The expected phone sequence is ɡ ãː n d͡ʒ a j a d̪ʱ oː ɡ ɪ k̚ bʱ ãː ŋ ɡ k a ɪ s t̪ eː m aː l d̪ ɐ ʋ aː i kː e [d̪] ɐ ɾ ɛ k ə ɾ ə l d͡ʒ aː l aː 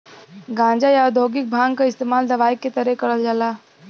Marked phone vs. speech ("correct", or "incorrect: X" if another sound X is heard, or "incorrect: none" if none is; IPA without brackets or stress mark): incorrect: t̪